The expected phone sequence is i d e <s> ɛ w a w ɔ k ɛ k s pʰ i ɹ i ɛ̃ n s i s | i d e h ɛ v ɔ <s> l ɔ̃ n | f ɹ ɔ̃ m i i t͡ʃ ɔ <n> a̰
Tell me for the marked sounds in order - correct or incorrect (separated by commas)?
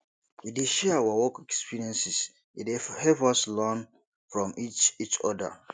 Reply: incorrect, correct, incorrect